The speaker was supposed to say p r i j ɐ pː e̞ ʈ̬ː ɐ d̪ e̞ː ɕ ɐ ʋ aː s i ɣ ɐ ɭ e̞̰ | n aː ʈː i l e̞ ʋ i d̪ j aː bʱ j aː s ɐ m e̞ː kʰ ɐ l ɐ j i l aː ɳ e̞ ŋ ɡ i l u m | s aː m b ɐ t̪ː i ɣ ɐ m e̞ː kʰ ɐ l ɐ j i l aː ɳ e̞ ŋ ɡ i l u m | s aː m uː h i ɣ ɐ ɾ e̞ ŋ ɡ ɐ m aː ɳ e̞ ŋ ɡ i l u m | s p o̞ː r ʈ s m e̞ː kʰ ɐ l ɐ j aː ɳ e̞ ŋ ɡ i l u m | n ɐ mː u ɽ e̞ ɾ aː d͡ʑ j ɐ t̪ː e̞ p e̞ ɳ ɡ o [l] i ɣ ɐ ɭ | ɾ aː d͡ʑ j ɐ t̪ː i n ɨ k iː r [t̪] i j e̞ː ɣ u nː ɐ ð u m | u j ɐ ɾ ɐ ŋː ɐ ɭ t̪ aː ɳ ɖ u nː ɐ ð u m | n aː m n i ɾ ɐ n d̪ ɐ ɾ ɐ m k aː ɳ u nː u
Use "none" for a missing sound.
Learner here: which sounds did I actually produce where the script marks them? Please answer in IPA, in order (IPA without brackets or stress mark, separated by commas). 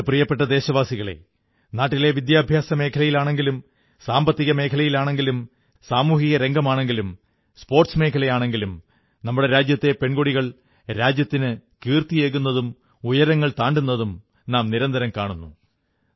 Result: ɽ, t̪